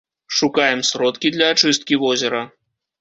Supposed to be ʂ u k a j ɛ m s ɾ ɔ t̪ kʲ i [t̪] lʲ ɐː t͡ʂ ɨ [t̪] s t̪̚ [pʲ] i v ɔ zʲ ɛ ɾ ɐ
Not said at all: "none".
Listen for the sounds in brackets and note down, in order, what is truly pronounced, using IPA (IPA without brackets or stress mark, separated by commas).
d̪, none, kʲ